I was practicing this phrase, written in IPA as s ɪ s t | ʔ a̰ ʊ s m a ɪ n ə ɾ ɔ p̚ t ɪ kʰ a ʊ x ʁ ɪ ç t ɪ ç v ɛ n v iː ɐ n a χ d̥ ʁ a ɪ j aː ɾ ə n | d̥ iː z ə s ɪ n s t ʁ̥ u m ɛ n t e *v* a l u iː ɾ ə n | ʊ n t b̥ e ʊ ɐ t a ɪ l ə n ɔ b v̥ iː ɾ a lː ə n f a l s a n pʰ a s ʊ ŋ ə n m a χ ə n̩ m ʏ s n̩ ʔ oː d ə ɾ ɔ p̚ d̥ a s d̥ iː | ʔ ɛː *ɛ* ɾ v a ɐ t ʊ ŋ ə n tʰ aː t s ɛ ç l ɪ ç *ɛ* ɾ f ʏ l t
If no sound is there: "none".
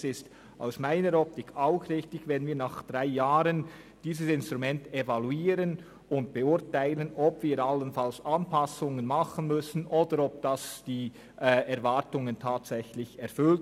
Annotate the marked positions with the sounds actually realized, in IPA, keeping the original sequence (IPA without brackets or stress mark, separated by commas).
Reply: v, ɛ, ɛ